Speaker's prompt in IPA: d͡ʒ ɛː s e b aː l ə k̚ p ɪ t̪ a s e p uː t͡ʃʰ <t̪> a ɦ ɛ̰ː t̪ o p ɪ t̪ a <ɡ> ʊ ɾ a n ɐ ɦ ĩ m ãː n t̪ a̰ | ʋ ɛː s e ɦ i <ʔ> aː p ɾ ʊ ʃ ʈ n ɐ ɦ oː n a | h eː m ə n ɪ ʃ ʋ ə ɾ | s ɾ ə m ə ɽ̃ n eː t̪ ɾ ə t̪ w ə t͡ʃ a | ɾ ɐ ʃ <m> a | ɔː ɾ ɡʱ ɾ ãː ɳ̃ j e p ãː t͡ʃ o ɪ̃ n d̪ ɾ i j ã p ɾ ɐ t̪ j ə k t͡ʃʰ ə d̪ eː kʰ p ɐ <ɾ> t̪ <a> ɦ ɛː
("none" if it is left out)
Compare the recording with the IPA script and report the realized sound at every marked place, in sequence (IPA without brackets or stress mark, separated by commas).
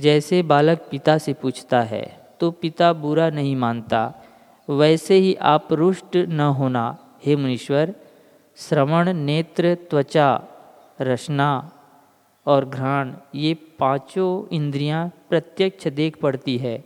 t̪, b, ʔ, n, ɽ, i